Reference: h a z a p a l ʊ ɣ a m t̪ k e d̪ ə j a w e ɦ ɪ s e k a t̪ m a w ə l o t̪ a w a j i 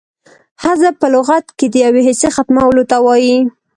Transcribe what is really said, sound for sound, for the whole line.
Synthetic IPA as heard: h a z a p ə l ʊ ɣ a t̪ k e d̪ ə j a w e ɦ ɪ s e x a t̪ m a w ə l o t̪ a w ɑ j i